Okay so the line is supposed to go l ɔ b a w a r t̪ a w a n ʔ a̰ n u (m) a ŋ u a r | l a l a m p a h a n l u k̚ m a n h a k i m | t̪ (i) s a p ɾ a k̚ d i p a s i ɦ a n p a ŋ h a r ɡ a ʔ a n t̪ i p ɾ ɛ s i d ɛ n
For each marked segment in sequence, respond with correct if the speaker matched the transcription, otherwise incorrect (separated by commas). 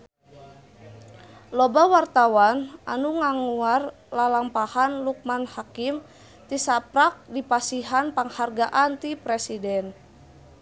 incorrect, correct